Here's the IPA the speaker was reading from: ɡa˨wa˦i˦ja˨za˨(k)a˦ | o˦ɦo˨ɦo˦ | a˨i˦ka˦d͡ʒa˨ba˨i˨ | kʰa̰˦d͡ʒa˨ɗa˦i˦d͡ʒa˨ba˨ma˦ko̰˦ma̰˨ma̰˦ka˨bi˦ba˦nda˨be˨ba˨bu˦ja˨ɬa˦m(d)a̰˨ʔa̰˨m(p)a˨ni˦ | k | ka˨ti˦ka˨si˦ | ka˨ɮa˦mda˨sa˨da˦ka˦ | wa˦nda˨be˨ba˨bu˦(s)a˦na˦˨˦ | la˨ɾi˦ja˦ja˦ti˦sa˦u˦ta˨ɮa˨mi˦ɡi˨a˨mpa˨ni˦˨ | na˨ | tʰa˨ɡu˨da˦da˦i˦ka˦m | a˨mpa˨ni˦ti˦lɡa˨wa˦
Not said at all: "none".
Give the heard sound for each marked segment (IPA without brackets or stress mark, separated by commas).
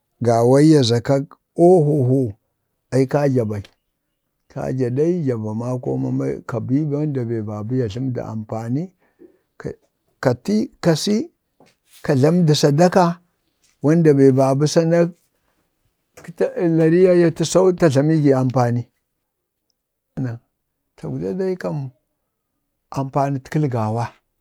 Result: k, d, p, s